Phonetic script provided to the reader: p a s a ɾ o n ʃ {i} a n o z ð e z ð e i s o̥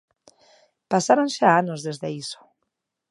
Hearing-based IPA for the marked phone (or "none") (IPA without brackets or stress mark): a